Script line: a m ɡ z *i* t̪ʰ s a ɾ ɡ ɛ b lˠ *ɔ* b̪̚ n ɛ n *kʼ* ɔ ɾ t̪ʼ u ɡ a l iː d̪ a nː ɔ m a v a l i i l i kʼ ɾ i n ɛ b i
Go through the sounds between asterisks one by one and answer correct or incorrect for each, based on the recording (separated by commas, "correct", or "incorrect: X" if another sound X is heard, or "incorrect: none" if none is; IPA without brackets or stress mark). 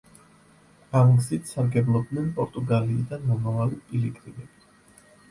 correct, correct, incorrect: pʼ